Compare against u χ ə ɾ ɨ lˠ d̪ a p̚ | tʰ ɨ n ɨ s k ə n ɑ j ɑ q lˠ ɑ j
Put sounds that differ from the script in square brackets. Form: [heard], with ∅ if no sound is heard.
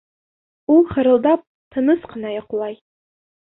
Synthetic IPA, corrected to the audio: u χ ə ɾ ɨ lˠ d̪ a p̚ | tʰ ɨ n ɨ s [q] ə n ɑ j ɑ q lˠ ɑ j